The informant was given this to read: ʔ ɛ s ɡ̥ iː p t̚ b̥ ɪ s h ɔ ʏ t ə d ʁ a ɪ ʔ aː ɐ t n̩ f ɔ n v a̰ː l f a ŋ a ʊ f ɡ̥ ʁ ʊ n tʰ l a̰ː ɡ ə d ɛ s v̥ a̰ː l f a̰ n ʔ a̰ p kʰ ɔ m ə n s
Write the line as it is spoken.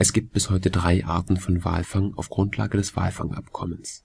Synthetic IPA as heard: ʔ ɛ s ɡ̥ iː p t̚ b̥ ɪ s h ɔ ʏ t ə d ʁ a ɪ ʔ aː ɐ t n̩ f ɔ n v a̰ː l f a ŋ a ʊ f ɡ̥ ʁ ʊ n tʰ l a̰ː ɡ ə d ɛ s v̥ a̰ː l f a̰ ŋ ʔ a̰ p kʰ ɔ m ə n s